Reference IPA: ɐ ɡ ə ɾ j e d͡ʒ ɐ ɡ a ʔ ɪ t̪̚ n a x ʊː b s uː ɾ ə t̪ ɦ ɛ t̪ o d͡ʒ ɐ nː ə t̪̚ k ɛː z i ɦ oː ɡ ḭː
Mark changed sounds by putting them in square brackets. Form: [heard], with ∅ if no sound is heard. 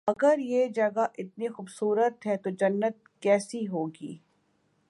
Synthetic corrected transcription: ɐ ɡ ə ɾ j e d͡ʒ ɐ ɡ a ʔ ɪ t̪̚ n [i] x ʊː b s uː ɾ ə t̪ ɦ ɛ t̪ o d͡ʒ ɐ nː ə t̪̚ k ɛː [s] i ɦ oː ɡ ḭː